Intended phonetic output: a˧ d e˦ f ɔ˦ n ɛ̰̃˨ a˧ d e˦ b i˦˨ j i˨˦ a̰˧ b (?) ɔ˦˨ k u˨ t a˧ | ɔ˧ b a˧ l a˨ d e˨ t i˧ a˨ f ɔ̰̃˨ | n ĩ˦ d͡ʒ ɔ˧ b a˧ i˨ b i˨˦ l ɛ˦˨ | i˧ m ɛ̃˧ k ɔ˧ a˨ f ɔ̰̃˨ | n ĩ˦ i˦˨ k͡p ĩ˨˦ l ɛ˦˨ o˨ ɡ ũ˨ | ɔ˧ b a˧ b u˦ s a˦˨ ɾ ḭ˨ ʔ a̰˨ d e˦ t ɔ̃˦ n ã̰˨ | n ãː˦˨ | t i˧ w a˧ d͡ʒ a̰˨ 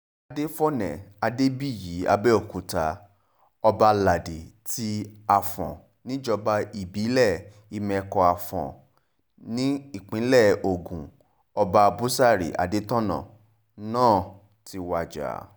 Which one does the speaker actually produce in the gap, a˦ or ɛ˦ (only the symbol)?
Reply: ɛ˦